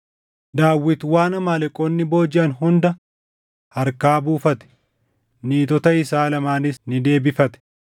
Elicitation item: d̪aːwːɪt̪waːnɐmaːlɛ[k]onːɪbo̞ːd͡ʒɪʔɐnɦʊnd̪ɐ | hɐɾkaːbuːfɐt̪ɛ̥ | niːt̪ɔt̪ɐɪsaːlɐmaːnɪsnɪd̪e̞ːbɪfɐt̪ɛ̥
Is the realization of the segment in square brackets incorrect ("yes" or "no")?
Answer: yes